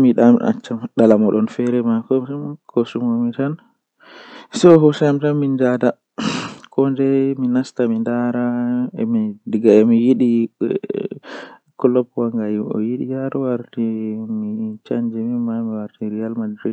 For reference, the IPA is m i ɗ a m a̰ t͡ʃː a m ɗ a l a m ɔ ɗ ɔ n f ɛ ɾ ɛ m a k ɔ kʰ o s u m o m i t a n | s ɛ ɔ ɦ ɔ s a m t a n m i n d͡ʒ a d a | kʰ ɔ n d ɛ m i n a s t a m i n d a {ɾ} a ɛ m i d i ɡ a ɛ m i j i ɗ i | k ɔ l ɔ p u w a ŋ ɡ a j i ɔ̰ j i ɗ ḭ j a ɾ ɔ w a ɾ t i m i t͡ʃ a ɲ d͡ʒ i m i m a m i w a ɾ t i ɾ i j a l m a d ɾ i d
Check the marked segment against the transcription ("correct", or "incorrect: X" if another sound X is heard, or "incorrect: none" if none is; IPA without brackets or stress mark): correct